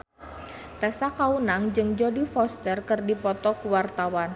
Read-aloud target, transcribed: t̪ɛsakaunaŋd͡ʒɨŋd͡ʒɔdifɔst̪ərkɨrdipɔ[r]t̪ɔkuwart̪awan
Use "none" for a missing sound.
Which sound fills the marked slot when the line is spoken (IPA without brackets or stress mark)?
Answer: none